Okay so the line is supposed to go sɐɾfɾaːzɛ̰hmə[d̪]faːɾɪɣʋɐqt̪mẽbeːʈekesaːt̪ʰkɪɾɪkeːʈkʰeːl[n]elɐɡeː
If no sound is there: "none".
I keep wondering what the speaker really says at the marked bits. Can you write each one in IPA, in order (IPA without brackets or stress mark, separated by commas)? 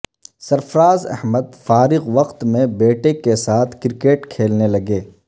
d̪, n